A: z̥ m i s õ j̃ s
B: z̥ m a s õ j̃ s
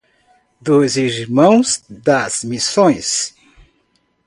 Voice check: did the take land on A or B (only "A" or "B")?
A